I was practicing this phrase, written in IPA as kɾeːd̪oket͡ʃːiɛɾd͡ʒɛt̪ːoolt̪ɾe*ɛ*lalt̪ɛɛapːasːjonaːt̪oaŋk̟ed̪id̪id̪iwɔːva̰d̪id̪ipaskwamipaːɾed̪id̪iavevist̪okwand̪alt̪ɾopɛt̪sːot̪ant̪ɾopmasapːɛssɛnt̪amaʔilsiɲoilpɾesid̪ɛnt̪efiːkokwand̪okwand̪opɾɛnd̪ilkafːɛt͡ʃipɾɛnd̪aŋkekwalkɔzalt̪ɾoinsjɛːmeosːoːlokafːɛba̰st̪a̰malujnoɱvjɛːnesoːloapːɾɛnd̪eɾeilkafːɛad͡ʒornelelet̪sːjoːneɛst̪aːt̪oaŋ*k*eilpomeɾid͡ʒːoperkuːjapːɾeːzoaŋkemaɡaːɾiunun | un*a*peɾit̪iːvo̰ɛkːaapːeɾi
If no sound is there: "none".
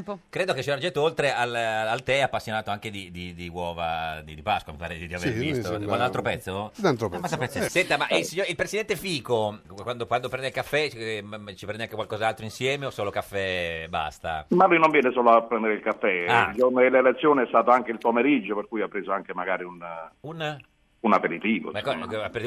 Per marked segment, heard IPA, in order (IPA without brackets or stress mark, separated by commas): a, k, a